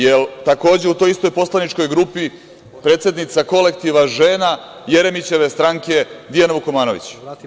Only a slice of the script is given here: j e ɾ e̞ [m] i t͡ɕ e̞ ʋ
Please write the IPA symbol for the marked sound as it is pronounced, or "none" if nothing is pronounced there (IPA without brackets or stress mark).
m